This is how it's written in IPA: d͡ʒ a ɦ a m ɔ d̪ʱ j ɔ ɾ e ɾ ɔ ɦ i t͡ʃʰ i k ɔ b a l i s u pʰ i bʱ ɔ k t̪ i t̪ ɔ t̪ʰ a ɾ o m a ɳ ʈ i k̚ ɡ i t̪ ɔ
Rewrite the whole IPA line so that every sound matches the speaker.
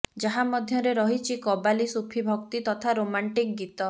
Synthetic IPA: d͡ʒ a ɦ a m ɔ d̪ʱ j ɔ ɾ e ɾ ɔ ɦ i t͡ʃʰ i k ɔ b a l i s u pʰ i bʱ ɔ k t̪ i t̪ ɔ t̪ʰ a ɾ o m a ɳ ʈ i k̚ ɡ i t̪ ɔ